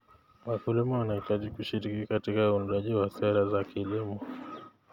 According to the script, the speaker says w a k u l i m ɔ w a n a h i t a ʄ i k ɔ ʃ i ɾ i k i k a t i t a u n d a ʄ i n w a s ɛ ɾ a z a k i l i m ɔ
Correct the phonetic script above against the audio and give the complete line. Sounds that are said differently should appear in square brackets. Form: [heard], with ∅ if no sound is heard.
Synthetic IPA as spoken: w a k u l i m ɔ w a n a h i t a ʄ i k [u] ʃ i ɾ i k i k a t i [k] a u n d a ʄ i [∅] w a s ɛ ɾ a z a k i l i m ɔ

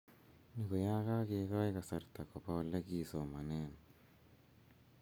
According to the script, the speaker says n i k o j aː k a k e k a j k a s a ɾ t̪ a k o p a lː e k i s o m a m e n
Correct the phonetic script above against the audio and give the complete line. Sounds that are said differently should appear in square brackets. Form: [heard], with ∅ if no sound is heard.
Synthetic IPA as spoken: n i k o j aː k a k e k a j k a s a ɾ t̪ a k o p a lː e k i s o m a [n] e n

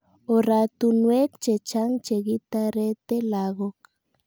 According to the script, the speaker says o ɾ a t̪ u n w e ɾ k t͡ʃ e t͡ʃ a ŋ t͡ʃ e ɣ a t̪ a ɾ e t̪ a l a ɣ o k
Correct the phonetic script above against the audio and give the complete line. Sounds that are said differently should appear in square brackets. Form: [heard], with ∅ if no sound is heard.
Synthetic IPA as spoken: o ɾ a t̪ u n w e [∅] k t͡ʃ e t͡ʃ a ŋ t͡ʃ e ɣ [i] t̪ a ɾ e t̪ [e] l a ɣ o k

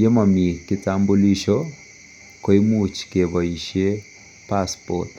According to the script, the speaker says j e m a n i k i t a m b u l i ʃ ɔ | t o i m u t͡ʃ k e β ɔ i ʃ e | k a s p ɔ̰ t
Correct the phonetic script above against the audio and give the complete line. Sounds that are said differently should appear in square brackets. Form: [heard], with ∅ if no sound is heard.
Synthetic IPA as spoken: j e m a [m] i k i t a m b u l i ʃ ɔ | [k] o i m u t͡ʃ k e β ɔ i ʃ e | [p] a s p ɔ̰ t

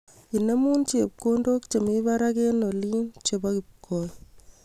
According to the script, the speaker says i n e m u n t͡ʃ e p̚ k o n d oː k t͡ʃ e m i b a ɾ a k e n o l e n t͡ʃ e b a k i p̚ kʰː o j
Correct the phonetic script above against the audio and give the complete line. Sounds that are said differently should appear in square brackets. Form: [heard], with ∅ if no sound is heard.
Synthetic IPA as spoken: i n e m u n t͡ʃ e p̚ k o n d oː k t͡ʃ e m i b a ɾ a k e n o l [i] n t͡ʃ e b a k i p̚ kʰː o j

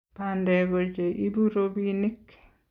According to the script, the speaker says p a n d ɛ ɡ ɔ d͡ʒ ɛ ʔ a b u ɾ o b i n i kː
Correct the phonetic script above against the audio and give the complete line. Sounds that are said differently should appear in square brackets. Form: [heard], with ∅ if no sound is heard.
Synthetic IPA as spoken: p a n d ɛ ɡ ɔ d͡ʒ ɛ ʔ [i] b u ɾ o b i n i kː

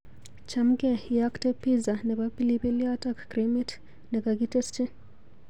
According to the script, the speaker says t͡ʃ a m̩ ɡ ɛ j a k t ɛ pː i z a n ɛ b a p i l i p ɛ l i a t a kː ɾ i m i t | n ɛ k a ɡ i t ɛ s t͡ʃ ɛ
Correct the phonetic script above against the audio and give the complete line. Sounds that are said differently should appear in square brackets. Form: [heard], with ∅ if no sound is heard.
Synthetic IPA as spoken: t͡ʃ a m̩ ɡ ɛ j a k t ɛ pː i z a n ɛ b a p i l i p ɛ l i a t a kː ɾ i m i t | n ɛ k a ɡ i t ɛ s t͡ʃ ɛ

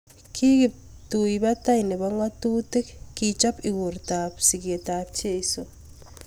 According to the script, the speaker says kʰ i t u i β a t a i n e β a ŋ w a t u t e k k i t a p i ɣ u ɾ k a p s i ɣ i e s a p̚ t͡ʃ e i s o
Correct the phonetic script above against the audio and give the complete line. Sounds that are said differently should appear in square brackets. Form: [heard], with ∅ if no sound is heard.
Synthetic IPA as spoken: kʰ i t u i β a t a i n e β a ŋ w a t u t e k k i [t͡ʃ] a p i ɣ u ɾ [t] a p s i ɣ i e [t] a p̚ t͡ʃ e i s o

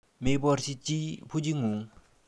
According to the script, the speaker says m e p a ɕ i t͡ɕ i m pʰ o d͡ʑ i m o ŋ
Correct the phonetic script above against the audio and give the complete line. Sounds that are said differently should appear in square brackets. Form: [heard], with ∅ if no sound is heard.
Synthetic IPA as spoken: m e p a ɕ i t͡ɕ i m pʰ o d͡ʑ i [ŋ] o ŋ

